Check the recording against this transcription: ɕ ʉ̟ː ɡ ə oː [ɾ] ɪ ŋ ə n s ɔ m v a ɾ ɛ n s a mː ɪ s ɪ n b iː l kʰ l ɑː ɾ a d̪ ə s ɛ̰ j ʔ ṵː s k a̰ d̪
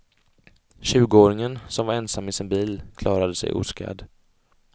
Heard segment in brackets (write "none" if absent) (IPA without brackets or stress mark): ɾ